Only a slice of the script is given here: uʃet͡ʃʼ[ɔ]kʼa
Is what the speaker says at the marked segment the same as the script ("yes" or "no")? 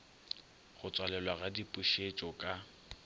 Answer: yes